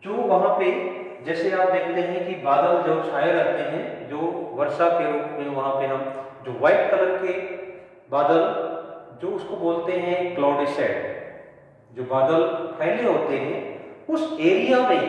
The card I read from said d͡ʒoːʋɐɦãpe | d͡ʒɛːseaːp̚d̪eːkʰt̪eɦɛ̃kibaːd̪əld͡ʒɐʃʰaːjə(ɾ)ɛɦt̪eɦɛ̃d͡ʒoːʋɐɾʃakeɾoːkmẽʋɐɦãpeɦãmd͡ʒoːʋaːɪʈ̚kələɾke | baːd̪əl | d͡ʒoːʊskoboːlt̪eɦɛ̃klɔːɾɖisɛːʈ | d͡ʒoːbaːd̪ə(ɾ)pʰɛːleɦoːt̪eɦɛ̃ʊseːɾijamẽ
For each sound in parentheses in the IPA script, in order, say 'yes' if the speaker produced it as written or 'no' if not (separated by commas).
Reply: yes, no